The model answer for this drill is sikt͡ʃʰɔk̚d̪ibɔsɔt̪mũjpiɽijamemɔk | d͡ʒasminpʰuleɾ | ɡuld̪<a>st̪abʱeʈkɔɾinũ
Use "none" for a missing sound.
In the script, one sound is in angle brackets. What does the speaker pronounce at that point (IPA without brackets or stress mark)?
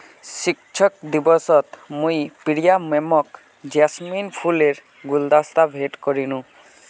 a